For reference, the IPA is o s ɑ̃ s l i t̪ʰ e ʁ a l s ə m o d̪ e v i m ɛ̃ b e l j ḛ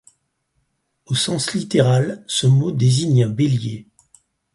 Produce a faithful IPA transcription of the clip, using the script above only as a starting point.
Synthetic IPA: o s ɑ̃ s l i t̪ e ʁ a l s ə m o d̪ e z i ɲ ɛ̃ b e l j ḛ